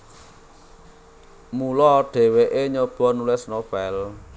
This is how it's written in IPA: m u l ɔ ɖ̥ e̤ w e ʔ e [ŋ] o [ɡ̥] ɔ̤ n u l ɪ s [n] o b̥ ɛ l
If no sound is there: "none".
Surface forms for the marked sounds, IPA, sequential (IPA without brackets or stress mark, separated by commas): ɲ, b̥, n